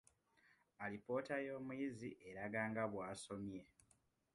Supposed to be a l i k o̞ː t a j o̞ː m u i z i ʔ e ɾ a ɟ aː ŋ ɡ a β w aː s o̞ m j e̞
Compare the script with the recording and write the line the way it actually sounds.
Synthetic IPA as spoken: a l i p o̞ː t a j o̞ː m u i z i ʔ e ɾ a ɡ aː ŋ ɡ a β w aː s o̞ m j e̞